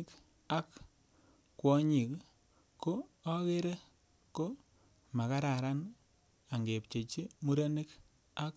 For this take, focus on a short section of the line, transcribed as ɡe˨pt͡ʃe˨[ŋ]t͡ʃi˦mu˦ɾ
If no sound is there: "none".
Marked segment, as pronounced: none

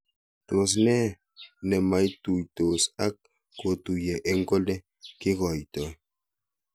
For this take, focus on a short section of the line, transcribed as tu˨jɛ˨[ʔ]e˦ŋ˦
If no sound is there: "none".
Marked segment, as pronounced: ʔ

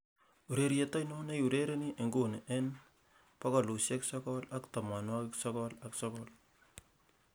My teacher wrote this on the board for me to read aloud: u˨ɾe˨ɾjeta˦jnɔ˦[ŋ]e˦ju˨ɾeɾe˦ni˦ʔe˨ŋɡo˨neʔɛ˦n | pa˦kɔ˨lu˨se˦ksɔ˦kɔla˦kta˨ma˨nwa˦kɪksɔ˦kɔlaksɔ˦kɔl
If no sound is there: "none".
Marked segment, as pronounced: n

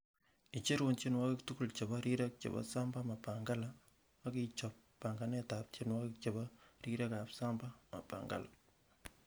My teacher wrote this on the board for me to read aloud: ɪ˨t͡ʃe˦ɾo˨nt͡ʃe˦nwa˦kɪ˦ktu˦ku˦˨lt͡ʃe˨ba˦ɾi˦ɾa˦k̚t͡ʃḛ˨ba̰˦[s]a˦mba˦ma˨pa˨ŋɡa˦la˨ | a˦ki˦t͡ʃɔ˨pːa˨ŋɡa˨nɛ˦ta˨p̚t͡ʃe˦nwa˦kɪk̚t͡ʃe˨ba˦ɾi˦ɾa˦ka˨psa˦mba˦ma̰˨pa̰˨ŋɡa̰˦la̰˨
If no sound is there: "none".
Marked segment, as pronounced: s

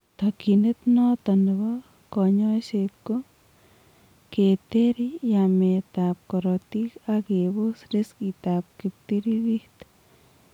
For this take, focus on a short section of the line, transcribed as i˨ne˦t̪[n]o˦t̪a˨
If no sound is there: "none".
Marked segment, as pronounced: n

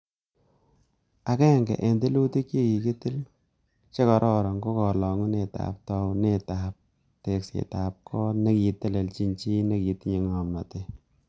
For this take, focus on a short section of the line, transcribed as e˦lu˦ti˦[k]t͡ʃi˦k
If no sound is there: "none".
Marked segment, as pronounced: k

